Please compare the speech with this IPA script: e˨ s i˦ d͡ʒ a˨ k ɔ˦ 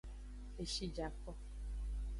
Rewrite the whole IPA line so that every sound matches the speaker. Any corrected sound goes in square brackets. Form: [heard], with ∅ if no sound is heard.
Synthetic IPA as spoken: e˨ [ʃ] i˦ d͡ʒ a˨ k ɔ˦